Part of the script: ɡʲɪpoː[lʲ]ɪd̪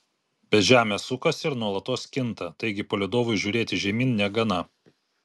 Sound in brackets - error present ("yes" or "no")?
no